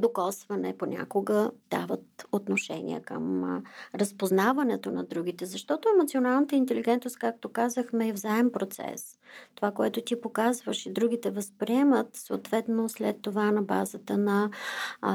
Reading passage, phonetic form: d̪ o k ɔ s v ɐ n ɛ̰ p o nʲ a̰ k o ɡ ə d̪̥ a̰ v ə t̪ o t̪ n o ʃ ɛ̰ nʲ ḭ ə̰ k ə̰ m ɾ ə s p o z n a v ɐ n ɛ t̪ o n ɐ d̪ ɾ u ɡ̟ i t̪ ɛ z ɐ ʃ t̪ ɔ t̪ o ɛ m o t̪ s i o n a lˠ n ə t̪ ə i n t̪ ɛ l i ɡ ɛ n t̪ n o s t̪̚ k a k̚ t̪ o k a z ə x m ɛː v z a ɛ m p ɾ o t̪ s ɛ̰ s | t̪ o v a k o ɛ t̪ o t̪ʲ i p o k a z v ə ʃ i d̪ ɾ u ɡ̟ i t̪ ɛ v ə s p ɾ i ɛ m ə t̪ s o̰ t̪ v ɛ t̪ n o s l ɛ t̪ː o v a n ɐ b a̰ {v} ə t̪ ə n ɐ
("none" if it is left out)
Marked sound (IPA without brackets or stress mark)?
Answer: z